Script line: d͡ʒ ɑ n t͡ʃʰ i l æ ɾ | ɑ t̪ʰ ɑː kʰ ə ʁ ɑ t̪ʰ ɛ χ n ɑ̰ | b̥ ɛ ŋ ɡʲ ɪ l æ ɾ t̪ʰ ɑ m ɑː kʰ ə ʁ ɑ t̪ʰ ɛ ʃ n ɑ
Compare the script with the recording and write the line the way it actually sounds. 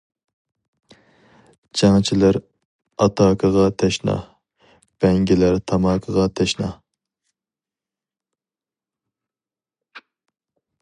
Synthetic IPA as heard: d͡ʒ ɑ ŋ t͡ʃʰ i l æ ɾ | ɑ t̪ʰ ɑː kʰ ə ʁ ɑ t̪ʰ ɛ ʃ n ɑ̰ | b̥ ɛ ŋ ɡʲ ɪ l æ ɾ t̪ʰ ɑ m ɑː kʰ ə ʁ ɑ t̪ʰ ɛ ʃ n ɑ